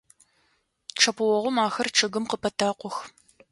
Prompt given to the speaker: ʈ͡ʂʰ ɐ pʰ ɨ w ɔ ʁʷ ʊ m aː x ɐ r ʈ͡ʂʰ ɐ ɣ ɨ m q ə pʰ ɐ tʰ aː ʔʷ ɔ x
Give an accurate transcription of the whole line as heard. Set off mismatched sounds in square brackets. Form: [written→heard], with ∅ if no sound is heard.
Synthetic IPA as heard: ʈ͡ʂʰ ɐ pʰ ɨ w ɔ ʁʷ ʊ m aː x ɐ r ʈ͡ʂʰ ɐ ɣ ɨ m q ə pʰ ɐ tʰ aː [ʔʷ→qʷ] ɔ x